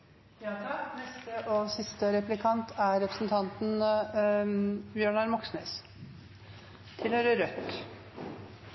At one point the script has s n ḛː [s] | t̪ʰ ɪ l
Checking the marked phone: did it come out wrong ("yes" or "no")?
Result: no